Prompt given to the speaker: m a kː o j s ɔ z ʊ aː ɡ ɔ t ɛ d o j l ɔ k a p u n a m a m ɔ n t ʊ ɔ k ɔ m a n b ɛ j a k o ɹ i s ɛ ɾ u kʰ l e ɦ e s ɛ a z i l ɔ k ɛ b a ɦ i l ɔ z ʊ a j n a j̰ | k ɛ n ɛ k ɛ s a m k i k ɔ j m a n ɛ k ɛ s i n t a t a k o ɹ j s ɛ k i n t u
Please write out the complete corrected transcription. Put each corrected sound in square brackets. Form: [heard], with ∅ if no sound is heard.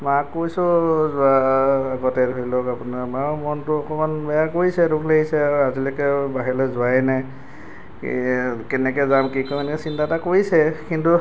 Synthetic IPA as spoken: m a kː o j s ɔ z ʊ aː ɡ ɔ t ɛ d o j l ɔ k a p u n a m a m ɔ n t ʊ ɔ k ɔ m a n b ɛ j a k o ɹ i s ɛ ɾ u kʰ l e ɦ [i] s ɛ a z i l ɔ k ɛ b a ɦ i l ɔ z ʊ a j n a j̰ | k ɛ n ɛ k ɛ [z] a m k i k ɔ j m a n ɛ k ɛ s i n t a t a k o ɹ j s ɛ k i n t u